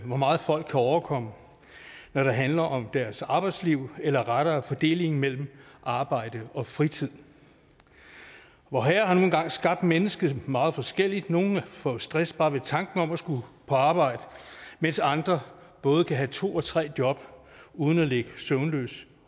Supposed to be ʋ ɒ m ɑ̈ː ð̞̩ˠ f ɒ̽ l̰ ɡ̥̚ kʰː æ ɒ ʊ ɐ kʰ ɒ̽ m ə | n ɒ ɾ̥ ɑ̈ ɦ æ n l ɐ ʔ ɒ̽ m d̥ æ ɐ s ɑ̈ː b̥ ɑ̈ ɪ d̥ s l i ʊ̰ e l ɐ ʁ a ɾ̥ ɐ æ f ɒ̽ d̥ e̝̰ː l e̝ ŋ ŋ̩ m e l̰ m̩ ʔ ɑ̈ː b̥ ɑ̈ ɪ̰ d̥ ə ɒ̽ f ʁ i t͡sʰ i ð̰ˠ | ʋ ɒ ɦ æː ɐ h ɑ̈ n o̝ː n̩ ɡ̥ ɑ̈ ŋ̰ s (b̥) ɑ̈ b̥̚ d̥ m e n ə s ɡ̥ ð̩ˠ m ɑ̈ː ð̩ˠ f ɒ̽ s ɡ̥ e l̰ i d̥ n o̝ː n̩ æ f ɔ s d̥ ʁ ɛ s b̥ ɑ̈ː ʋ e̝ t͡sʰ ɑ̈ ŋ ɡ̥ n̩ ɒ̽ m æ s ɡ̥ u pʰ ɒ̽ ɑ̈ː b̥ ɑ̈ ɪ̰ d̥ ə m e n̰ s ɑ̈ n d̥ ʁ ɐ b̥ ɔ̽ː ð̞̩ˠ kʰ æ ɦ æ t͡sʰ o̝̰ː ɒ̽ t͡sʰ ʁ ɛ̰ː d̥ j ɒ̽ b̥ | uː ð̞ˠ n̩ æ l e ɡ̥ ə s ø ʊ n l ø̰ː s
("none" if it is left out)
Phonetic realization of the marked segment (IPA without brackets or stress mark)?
ɡ̥